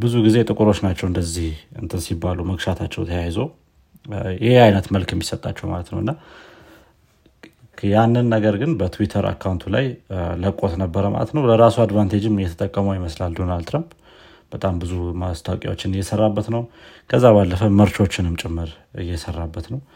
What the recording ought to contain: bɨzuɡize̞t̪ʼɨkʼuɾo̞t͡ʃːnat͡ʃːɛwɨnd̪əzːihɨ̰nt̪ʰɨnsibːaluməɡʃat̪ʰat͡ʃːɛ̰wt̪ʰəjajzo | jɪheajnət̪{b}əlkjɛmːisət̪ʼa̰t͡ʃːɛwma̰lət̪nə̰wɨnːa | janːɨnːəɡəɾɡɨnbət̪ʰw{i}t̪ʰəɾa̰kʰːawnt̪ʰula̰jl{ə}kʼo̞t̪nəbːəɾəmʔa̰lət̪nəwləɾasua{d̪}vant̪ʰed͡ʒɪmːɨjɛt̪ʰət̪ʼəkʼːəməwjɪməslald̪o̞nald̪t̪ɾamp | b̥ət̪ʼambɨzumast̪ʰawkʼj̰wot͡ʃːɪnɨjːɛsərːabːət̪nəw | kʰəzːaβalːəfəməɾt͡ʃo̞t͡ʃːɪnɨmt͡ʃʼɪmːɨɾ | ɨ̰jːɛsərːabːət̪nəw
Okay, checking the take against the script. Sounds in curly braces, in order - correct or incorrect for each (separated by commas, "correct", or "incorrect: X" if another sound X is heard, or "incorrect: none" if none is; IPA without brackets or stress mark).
incorrect: m, correct, correct, correct